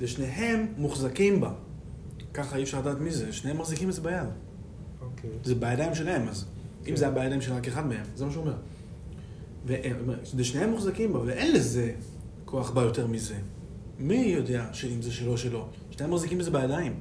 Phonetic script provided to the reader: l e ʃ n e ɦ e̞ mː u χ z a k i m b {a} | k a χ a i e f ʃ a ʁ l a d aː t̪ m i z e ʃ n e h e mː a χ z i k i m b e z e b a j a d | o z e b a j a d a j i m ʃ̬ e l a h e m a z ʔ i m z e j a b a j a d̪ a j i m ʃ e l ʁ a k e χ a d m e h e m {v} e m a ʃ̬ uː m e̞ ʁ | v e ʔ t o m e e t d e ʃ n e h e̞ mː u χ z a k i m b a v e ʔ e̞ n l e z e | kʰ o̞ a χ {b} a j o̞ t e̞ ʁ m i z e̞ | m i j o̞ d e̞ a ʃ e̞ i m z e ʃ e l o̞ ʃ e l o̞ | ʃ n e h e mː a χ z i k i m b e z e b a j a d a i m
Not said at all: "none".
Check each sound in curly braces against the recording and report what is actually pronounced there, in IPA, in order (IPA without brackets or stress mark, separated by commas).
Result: a, z, b